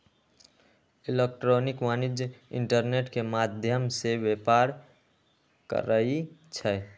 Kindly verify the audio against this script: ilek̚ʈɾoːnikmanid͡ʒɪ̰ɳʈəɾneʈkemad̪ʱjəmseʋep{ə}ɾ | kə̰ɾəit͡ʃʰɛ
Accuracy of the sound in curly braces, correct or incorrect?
incorrect